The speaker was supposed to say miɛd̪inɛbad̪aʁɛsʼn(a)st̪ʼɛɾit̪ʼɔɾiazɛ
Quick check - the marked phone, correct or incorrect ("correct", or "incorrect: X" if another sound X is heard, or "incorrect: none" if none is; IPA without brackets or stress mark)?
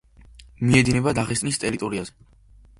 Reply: incorrect: i